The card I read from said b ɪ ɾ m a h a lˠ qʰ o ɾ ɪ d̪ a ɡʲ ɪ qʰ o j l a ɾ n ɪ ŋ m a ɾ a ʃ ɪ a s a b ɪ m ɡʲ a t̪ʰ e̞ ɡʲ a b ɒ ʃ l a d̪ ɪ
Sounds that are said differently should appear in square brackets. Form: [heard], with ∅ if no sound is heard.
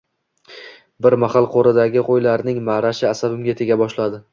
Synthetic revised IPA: b ɪ ɾ m a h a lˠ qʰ o ɾ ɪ d̪ a ɡʲ ɪ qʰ o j l a ɾ n ɪ ŋ m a ɾ a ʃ ɪ a s a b ɪ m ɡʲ a t̪ʰ e̞ ɡʲ a b ɒ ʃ l a d̪ ɪ